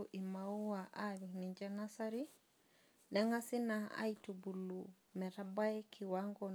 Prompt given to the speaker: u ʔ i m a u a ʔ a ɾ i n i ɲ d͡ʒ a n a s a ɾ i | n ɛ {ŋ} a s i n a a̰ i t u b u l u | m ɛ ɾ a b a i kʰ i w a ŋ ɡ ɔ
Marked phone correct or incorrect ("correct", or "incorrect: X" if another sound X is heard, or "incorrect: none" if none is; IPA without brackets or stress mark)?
correct